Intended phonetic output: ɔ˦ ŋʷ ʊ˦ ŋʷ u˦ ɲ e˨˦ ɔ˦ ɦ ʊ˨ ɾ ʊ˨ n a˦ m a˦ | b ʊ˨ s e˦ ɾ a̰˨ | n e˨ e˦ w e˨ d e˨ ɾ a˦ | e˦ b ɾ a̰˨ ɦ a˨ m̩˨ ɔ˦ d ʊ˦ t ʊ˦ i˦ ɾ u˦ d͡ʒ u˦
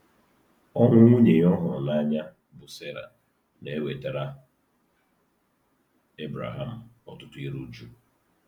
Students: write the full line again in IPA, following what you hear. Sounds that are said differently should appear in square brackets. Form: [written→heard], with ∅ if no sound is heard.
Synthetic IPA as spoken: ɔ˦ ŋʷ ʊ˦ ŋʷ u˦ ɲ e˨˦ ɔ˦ ɦ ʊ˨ ɾ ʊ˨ n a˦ [m→ɲ] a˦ | b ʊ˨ s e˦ ɾ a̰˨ | n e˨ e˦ w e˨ [d→t] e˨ ɾ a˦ | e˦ b ɾ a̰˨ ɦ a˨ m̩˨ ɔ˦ [d→t] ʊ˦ t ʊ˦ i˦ ɾ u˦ d͡ʒ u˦